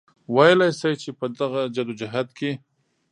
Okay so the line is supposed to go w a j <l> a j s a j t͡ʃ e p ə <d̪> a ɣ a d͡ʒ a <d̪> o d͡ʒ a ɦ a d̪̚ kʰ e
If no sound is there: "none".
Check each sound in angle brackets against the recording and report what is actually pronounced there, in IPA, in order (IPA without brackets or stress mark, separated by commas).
l, d̪, d̪